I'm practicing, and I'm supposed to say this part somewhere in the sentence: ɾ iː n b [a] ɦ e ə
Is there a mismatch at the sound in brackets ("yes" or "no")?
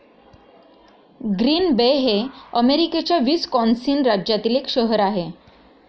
yes